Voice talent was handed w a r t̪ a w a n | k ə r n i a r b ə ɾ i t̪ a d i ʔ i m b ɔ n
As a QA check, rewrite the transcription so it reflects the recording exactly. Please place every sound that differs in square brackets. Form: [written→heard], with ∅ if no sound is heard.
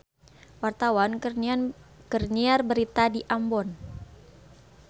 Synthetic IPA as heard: w a r t̪ a w a n | k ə r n i a r b ə ɾ i t̪ a d i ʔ [i→a] m b ɔ n